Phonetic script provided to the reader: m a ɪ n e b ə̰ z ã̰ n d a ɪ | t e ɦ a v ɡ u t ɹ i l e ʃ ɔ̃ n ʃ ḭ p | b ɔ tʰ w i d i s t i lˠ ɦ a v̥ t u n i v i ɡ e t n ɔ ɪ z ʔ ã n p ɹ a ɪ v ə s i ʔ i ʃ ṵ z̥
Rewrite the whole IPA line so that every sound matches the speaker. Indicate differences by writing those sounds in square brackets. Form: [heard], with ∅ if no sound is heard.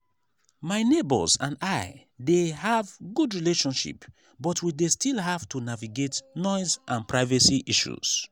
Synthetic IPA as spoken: m a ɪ n e b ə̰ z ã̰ n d a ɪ | [d] e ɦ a v ɡ u [d] ɹ i l e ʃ ɔ̃ n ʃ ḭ p | b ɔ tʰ w i d [e] s t i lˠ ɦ a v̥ t u n [a] v i ɡ e t n ɔ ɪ z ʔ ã n p ɹ a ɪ v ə s i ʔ i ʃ ṵ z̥